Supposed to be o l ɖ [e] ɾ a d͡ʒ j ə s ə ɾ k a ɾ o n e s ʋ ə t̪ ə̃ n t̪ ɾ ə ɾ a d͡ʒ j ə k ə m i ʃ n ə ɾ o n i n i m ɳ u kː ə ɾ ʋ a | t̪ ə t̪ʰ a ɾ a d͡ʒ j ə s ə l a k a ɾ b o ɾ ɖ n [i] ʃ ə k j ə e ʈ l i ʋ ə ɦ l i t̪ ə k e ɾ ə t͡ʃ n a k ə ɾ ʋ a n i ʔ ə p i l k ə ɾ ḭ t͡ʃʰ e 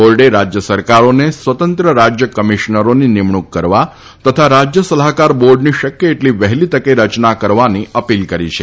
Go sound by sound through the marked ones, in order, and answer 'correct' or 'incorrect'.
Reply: correct, correct

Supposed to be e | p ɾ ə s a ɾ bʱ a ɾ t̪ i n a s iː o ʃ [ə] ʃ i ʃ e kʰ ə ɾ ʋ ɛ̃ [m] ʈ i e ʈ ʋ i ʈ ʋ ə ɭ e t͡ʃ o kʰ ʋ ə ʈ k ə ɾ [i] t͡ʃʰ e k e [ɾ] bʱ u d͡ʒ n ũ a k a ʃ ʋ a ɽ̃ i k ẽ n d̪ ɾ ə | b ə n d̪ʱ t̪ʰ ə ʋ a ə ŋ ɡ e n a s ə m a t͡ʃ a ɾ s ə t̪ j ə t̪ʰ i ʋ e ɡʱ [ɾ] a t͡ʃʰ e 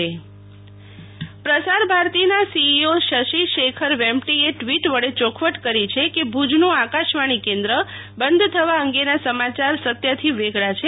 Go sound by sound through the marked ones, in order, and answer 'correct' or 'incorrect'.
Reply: correct, correct, correct, incorrect: none, incorrect: ɭ

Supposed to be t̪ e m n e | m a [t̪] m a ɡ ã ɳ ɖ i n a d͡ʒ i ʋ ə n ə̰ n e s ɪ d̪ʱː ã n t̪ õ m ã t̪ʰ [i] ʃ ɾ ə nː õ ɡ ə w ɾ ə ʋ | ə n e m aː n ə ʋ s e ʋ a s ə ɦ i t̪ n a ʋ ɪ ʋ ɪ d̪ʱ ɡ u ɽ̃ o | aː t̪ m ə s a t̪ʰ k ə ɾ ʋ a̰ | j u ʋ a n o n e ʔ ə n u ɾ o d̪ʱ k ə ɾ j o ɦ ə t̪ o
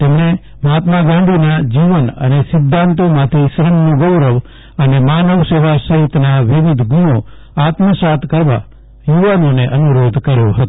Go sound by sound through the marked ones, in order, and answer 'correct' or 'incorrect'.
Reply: correct, correct

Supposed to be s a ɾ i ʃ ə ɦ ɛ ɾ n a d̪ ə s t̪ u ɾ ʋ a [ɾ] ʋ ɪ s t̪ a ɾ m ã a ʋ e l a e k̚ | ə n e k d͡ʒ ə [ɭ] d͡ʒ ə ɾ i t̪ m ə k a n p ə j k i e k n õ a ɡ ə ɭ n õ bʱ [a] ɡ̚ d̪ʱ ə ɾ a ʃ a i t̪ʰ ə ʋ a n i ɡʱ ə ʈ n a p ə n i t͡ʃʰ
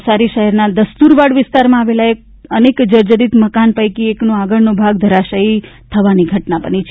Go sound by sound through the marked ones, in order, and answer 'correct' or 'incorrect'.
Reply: incorrect: ɽ, incorrect: ɾ, correct

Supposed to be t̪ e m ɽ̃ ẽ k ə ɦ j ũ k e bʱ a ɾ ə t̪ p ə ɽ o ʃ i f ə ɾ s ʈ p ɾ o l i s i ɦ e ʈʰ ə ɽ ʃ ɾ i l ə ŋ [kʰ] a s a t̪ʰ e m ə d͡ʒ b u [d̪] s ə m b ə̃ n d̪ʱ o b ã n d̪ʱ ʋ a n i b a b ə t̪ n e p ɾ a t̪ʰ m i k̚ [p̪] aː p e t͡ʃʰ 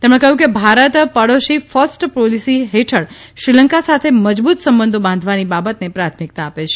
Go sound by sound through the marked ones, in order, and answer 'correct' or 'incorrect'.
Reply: incorrect: k, incorrect: t̪, incorrect: t̪

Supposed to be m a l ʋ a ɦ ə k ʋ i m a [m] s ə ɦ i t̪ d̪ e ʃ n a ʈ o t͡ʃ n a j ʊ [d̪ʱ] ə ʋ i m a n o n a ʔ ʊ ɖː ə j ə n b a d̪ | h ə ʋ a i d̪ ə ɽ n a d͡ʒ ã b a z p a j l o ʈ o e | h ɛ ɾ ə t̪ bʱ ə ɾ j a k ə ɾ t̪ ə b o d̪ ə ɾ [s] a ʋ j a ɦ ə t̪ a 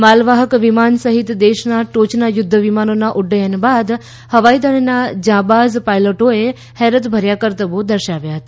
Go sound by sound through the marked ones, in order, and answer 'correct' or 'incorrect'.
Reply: incorrect: n, incorrect: d̪ʱː, incorrect: ʃ

